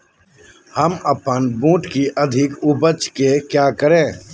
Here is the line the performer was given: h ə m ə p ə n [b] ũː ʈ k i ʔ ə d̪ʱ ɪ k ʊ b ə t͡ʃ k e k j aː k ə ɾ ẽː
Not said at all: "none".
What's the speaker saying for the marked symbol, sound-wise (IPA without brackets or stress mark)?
b